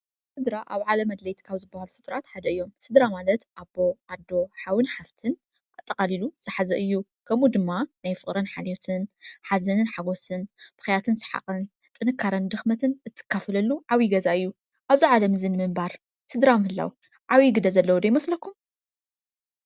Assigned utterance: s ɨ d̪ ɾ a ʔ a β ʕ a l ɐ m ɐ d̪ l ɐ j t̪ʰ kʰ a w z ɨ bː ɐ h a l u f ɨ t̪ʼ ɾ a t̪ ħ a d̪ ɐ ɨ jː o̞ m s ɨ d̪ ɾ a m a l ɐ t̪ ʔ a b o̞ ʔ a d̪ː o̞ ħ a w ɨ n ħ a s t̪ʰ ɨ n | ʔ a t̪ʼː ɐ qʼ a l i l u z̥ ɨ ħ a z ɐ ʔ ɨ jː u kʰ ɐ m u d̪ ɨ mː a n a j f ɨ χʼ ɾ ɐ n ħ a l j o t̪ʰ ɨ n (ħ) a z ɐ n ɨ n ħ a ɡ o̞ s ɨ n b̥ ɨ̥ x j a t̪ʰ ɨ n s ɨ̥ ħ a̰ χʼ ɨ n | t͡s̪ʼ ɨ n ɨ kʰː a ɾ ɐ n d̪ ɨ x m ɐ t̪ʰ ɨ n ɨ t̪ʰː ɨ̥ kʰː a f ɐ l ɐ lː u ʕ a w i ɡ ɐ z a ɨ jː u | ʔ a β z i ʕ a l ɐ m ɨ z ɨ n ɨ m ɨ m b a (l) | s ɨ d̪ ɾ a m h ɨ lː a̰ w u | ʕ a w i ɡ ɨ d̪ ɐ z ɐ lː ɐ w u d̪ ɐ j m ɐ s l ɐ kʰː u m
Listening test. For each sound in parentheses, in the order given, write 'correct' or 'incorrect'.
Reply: correct, incorrect: ɾ

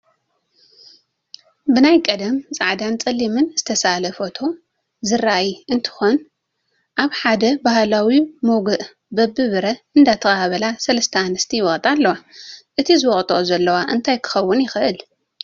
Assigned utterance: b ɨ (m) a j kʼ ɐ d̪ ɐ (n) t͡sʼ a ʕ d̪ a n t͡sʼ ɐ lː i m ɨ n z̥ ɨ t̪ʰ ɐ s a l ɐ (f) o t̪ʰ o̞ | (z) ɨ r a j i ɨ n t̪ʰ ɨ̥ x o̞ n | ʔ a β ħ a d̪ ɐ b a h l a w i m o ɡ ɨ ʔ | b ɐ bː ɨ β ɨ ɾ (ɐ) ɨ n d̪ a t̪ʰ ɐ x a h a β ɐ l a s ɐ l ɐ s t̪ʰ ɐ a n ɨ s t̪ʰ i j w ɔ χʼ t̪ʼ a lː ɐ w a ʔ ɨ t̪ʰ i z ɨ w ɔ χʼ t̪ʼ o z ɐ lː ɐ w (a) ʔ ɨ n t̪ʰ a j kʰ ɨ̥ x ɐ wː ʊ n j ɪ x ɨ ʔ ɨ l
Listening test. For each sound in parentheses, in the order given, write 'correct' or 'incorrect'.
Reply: incorrect: n, incorrect: m, correct, correct, correct, correct

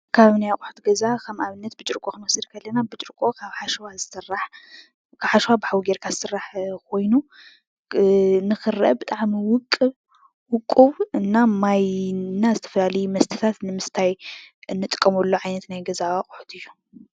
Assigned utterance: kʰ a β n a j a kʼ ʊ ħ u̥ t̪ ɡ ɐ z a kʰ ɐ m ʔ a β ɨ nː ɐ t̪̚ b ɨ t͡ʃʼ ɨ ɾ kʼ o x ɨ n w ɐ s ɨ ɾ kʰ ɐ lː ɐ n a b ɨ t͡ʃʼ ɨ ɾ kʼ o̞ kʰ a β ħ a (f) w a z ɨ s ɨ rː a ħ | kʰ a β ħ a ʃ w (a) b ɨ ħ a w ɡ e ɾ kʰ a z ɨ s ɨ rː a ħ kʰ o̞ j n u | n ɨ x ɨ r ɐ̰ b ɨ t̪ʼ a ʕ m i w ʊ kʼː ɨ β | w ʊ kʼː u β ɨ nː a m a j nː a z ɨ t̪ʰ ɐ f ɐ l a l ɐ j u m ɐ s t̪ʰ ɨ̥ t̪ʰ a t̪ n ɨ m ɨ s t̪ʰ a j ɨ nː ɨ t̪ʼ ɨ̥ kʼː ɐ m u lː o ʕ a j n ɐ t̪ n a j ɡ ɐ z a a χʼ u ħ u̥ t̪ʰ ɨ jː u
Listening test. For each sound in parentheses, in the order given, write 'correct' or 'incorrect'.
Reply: incorrect: ʃ, correct

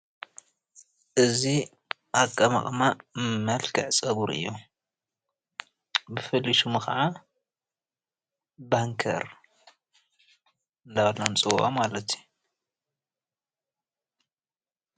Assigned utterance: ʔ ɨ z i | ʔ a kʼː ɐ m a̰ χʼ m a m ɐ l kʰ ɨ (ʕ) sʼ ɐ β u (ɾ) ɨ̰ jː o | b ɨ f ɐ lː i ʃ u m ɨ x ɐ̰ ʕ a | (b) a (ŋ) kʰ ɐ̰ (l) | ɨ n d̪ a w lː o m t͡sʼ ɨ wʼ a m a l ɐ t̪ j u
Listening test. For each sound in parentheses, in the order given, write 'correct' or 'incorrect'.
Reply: correct, correct, correct, correct, incorrect: ɾ

